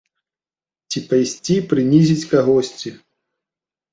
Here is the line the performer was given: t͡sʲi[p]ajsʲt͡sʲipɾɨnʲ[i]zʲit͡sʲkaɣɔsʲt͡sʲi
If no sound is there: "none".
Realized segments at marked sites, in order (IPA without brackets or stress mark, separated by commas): p, i